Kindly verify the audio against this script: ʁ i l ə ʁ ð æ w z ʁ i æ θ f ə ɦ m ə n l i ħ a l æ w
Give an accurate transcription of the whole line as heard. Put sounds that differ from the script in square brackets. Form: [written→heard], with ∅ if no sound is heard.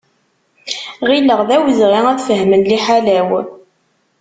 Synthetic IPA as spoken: ʁ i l ə ʁ ð æ w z ʁ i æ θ f ə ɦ m ə n l i ħ a l æ w

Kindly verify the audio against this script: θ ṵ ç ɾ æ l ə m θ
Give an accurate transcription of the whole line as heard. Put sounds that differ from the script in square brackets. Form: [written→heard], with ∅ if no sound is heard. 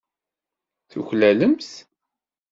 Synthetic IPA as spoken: θ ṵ ç [ɾ→l] æ l ə m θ

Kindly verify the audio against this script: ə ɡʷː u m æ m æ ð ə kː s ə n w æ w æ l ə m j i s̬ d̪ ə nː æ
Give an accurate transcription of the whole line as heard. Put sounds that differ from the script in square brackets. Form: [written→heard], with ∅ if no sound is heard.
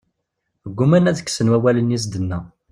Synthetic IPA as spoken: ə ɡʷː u m æ [m→n] æ ð ə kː s ə n w æ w æ l ə [m→n] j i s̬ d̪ ə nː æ

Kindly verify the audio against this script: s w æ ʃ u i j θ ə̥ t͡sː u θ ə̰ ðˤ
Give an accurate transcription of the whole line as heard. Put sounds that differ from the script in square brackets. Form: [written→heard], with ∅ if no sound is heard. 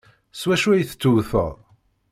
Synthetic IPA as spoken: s w æ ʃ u [i→æ] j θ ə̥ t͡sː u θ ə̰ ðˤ

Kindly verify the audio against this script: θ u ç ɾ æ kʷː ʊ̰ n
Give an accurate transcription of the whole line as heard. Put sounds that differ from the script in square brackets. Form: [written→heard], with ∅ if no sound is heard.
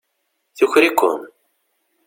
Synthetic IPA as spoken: θ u ç ɾ [æ→i] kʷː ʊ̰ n

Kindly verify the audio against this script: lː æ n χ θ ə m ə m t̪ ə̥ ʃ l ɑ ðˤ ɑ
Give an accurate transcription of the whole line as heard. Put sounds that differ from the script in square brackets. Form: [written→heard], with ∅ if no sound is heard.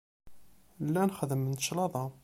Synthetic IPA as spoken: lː æ n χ [θ→ð] ə m ə [m→n] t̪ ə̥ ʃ l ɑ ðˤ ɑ

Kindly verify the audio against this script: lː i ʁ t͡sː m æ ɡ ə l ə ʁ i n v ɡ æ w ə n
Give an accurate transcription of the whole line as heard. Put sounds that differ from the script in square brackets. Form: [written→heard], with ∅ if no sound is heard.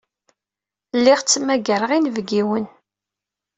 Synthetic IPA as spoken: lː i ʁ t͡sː m æ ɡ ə [l→ɾ] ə ʁ i n v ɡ [æ→i] w ə n

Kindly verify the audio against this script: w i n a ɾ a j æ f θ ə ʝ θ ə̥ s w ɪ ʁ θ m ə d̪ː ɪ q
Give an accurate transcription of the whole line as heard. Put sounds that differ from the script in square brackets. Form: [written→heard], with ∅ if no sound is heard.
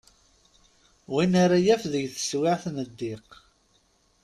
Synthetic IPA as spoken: w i n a ɾ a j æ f [θ→ð] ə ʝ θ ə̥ s w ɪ [ʁ→ʕ] θ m ə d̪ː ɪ q

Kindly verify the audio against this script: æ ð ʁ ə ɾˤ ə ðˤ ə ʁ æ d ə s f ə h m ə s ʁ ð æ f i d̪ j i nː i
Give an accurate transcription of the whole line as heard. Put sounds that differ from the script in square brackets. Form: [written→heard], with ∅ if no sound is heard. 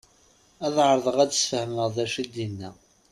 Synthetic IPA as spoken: æ ð [ʁ→ʕ] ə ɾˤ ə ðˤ ə ʁ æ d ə s f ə h m ə [s→∅] ʁ ð æ [f→ʃ] i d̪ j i nː [i→æ]

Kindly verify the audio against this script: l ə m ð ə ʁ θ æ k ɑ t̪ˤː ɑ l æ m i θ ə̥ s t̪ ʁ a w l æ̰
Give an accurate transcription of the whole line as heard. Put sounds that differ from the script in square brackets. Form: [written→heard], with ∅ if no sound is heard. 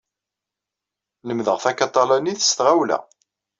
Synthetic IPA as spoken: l ə m ð ə ʁ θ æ k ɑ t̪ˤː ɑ l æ [m→n] i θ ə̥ s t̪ ʁ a w l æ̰

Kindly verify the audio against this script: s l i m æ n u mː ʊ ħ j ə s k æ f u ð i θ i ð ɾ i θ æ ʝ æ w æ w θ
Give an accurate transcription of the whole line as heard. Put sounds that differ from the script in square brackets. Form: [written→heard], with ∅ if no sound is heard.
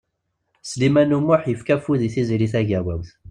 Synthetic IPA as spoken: s l i m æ n u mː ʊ ħ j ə [s→f] k æ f u ð i θ i [ð→z] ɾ i θ æ ʝ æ w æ w θ

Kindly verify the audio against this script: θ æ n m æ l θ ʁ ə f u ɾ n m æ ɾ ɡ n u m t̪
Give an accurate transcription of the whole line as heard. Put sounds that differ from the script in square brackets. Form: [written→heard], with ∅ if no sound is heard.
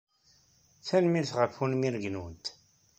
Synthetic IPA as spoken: θ æ n m [æ→i] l θ ʁ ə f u [ɾ→∅] n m [æ→i] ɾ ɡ n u [m→n] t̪

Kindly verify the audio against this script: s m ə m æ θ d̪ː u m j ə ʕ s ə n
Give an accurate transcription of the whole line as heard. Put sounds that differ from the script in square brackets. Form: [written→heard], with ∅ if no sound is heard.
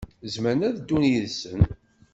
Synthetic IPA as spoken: [s→z] m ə [m→n] æ [θ→ð] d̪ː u [m→n] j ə [ʕ→ð] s ə n

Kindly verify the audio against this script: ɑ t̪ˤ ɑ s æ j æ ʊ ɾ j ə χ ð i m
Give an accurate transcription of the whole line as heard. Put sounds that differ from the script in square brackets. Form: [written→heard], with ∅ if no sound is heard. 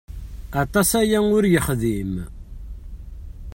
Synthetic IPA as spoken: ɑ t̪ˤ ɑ s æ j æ ʊ ɾ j ə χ ð i m

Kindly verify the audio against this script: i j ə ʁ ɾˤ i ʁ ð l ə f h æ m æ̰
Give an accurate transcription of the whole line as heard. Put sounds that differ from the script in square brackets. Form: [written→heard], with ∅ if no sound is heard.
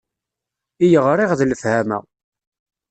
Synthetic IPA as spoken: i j ə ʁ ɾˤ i ʁ ð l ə f h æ m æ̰

